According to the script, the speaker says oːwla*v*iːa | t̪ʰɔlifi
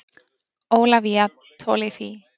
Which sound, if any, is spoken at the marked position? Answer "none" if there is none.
v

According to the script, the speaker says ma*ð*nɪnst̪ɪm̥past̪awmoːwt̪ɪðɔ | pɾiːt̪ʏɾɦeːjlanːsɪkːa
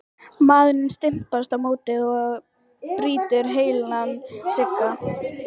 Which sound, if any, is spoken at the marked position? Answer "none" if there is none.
ð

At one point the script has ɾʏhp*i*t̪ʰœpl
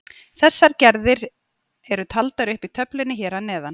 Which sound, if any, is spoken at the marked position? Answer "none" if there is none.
i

